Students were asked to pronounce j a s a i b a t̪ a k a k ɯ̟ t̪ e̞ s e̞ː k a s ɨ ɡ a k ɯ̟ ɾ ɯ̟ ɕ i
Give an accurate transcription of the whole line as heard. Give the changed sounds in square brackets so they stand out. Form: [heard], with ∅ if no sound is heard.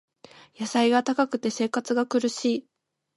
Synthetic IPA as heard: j a s a i [ɡ] a t̪ a k a k ɯ̟ t̪ e̞ s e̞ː k a [t͡s] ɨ ɡ a k ɯ̟ ɾ ɯ̟ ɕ [iː]